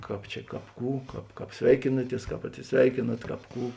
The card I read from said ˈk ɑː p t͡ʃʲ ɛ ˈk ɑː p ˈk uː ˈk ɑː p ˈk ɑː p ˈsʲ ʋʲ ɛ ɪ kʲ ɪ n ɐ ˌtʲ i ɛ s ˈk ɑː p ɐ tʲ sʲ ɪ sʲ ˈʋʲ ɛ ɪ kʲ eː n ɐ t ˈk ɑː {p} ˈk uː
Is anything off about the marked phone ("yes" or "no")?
no